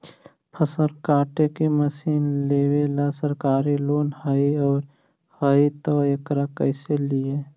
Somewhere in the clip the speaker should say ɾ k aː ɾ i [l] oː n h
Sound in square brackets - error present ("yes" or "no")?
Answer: no